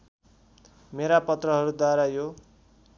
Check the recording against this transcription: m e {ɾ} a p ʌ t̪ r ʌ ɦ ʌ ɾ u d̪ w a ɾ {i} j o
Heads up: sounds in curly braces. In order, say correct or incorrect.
correct, incorrect

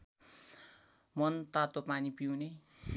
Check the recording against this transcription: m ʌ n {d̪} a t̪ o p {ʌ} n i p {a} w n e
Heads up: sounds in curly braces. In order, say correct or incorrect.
incorrect, incorrect, incorrect

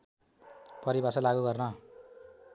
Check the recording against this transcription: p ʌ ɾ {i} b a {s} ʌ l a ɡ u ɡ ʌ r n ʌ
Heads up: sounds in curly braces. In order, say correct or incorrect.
correct, correct

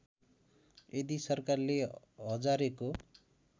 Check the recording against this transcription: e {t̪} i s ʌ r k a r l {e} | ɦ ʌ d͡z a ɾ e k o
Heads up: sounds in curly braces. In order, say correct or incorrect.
incorrect, correct

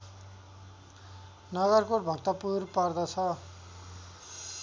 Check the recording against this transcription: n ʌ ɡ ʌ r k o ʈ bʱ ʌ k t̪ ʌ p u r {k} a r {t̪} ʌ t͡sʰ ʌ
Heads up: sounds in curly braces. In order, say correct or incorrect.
incorrect, incorrect

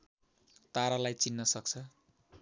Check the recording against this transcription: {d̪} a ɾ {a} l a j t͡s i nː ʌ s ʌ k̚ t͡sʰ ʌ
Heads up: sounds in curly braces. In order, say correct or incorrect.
incorrect, correct

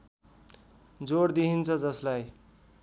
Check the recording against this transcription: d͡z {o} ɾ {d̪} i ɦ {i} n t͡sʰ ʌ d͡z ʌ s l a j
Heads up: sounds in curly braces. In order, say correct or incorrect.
correct, correct, correct

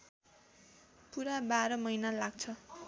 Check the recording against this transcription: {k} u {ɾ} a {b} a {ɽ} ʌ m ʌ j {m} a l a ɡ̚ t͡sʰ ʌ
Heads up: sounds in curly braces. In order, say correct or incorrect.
incorrect, correct, correct, incorrect, incorrect

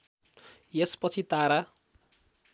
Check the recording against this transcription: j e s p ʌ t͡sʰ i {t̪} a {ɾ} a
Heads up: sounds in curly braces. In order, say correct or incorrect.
correct, correct

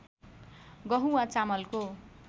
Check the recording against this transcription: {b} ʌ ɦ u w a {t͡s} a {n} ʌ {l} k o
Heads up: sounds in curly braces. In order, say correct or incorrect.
incorrect, correct, incorrect, correct

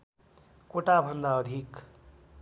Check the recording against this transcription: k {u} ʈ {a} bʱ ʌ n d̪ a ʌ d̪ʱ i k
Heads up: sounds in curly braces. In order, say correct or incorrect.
incorrect, correct

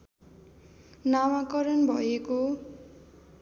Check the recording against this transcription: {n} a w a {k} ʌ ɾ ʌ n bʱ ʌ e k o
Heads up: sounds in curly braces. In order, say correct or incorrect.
correct, correct

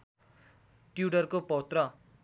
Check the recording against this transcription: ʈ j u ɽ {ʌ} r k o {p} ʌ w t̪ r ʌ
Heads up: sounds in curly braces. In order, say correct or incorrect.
correct, correct

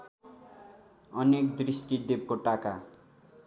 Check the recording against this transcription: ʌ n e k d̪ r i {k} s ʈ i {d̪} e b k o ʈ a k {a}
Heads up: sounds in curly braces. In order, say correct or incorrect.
incorrect, correct, correct

